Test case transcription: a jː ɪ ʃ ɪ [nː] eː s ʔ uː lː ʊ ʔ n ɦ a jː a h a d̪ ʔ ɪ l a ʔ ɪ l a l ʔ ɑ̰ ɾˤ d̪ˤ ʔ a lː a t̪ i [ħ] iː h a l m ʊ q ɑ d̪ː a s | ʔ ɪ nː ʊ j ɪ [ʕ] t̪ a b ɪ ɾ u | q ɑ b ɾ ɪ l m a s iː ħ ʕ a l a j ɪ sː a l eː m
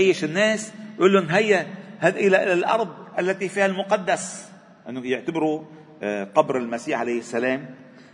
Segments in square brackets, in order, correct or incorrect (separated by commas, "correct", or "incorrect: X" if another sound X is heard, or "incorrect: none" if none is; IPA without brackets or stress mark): correct, incorrect: f, correct